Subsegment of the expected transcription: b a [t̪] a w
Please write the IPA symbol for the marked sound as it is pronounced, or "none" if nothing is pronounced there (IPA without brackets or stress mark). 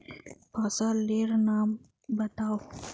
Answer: t̪